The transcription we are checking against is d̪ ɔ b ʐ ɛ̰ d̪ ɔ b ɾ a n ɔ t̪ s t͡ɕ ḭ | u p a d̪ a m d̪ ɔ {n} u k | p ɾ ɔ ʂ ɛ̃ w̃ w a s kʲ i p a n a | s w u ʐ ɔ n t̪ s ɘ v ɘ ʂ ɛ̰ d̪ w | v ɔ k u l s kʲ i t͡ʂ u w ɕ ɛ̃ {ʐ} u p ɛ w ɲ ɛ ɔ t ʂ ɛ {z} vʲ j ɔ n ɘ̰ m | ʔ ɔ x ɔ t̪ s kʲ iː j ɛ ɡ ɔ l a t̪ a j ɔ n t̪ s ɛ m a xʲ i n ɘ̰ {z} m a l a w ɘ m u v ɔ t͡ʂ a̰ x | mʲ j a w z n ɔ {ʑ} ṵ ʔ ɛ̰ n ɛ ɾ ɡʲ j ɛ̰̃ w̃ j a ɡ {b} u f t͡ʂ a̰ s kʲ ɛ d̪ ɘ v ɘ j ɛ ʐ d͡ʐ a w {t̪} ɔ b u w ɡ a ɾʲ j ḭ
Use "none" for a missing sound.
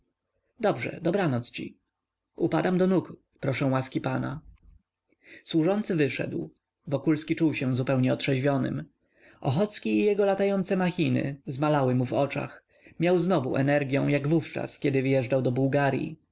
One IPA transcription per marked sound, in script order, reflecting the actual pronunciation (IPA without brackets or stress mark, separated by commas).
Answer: n, z, ʑ, z, v, v, d̪